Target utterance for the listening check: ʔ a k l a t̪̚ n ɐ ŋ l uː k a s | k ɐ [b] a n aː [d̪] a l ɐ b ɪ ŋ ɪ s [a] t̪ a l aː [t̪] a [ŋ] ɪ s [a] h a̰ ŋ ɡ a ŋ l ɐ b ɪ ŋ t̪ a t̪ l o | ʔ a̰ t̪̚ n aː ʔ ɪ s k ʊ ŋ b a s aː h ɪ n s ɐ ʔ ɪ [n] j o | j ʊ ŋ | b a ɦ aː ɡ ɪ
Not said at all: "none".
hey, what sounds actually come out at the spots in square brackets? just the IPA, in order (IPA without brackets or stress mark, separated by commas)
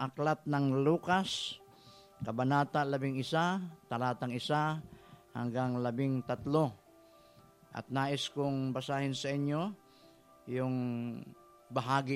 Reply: b, t̪, a, t̪, ŋ, a, ɲ